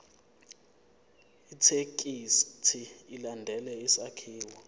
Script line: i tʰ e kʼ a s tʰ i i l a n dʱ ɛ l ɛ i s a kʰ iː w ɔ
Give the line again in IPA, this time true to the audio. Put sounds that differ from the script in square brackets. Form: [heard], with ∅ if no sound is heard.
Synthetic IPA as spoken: i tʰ e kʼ [i] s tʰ i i l a n dʱ ɛ l ɛ i s a kʰ iː w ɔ